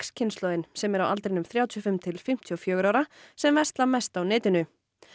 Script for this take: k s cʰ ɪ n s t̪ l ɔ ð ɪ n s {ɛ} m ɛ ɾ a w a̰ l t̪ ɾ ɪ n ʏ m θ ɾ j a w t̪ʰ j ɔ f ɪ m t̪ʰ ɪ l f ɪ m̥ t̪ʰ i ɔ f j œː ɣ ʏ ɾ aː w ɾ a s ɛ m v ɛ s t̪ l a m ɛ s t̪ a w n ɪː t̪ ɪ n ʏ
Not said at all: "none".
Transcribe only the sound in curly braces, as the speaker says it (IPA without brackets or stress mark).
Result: ɛ